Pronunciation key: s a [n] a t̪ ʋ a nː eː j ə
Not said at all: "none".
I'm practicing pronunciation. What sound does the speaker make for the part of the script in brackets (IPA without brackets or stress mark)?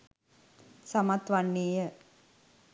m